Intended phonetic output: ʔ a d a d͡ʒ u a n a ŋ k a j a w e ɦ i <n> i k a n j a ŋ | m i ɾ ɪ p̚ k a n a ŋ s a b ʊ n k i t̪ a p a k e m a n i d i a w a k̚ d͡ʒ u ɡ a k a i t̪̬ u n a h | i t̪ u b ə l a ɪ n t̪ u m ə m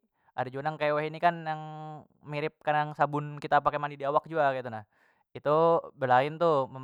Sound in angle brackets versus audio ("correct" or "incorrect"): correct